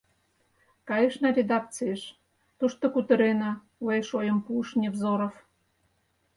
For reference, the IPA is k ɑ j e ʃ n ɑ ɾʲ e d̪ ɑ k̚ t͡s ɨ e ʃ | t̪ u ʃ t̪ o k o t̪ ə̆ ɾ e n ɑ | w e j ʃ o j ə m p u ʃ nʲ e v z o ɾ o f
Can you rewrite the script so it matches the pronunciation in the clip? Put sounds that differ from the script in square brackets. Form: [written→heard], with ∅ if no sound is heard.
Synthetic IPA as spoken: k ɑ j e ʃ n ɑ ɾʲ e d̪ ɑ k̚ t͡s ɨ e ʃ | t̪ u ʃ t̪ o k [o→u] t̪ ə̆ ɾ e n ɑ | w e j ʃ o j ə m p u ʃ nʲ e v z o ɾ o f